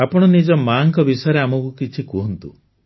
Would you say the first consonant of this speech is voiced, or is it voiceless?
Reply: voiceless